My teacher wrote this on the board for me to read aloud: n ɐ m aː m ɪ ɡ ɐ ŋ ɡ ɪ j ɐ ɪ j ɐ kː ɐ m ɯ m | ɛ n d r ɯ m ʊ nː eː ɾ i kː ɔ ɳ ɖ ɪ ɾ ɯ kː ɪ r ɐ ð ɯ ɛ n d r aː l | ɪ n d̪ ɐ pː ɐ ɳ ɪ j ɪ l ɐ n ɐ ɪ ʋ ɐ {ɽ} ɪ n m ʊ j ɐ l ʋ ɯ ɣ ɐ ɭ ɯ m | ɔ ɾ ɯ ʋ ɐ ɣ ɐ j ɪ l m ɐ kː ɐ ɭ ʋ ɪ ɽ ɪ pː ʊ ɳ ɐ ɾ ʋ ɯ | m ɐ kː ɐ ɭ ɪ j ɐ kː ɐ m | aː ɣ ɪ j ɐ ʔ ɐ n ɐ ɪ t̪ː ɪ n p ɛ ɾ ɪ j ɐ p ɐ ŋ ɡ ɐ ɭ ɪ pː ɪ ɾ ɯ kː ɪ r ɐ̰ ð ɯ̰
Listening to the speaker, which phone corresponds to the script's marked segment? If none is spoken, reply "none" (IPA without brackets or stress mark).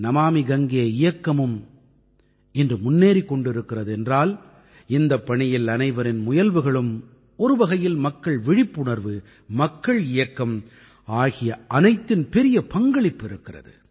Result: ɾ